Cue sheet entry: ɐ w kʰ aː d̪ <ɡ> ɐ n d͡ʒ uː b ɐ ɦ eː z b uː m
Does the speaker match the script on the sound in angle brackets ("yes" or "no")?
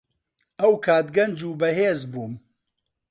yes